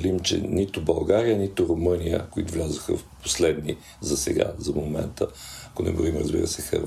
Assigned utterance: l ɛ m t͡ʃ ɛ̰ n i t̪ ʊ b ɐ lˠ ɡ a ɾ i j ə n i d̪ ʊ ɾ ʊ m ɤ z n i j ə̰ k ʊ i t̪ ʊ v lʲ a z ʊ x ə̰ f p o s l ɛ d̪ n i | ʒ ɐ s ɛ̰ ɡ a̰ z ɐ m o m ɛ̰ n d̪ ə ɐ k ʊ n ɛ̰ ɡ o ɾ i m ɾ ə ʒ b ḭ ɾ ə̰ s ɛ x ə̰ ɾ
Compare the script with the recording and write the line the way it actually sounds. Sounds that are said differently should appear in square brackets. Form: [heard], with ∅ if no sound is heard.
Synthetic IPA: l [i] m t͡ʃ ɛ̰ n i t̪ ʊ b ɐ lˠ ɡ a ɾ i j ə n i [t̪] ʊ ɾ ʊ m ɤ [∅] n i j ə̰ k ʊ i t̪ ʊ v lʲ a z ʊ x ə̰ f p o s l ɛ d̪ n i | [z] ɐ s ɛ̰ ɡ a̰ z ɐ m o m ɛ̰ n [t̪] ə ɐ k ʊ n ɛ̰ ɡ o ɾ i m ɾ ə [z] b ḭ ɾ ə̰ s ɛ x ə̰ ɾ